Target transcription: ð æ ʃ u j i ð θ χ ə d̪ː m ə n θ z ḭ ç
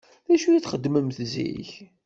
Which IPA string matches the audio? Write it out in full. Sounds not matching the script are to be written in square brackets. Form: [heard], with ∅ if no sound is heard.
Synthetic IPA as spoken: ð æ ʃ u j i [∅] θ χ ə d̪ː m ə [m] θ z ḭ ç

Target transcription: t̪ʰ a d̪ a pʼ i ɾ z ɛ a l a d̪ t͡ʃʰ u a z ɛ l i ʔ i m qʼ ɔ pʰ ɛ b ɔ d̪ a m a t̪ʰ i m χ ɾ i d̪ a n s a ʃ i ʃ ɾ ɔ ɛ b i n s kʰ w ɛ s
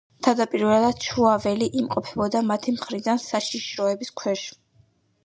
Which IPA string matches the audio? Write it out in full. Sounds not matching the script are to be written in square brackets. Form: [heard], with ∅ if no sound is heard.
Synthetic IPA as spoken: t̪ʰ a d̪ a pʼ i ɾ [v] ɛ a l a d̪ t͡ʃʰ u a [v] ɛ l i ʔ i m qʼ ɔ pʰ ɛ b ɔ d̪ a m a t̪ʰ i m χ ɾ i d̪ a n s a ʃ i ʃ ɾ ɔ ɛ b i [∅] s kʰ w ɛ [ʃ]

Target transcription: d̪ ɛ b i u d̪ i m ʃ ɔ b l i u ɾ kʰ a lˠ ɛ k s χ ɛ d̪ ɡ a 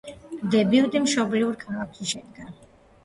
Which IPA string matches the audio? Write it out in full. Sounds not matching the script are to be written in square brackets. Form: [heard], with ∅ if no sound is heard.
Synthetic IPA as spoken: d̪ ɛ b i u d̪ i m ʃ ɔ b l i u ɾ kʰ a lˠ [a] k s [ʃ] ɛ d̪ ɡ a

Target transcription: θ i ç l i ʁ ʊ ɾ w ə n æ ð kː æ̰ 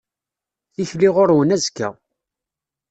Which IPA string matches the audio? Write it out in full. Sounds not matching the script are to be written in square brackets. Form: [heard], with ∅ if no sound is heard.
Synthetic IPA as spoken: θ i ç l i ʁ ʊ ɾ w ə n æ [z] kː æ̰

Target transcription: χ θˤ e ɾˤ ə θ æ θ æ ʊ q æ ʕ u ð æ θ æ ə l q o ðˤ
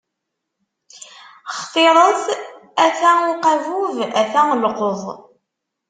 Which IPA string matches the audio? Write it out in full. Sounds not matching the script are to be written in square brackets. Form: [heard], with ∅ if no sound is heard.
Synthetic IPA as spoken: χ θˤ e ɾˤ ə θ æ θ æ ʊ q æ [v] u [v] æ θ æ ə l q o ðˤ

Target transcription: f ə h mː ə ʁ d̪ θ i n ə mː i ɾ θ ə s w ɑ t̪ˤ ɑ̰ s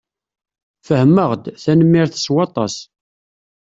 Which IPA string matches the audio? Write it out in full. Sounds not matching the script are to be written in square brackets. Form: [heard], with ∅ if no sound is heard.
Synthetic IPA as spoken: f ə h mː ə ʁ d̪ θ [æ] n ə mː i ɾ θ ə s w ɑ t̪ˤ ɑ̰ s

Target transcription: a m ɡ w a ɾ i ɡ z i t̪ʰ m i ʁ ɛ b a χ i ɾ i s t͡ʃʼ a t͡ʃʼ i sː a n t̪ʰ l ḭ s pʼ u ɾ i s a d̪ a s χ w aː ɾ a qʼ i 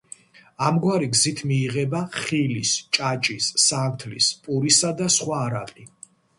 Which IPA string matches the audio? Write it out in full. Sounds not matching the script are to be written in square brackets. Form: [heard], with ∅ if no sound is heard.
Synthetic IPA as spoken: a m ɡ w a ɾ i ɡ z i t̪ʰ m [iː] ʁ ɛ b a χ i [l] i s t͡ʃʼ a t͡ʃʼ i sː a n t̪ʰ l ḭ s pʼ u ɾ i s a d̪ a s χ w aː ɾ a qʼ i

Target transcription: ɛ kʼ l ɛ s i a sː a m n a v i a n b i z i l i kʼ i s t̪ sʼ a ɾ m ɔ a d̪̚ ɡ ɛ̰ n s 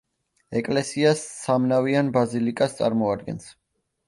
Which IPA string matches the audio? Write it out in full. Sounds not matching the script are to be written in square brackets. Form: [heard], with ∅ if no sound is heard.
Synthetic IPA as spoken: ɛ kʼ l ɛ s i a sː a m n a v i a n b [a] z i l i kʼ [a] s t̪ sʼ a ɾ m ɔ a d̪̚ ɡ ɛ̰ n s

